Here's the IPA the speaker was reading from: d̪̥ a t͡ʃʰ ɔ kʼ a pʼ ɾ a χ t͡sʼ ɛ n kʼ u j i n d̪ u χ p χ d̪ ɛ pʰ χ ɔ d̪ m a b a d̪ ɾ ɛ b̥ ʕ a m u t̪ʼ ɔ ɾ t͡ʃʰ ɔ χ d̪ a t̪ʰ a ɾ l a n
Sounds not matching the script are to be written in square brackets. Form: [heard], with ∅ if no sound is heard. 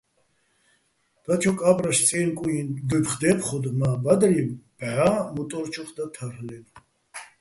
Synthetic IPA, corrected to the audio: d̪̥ a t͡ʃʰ ɔ kʼ a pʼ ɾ a [ʃ] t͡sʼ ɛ n kʼ u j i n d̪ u [∅] p χ d̪ ɛ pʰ χ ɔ d̪ m a b a d̪ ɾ [i] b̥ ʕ a m u t̪ʼ ɔ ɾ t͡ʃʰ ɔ χ d̪ a t̪ʰ a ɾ l [ɛ] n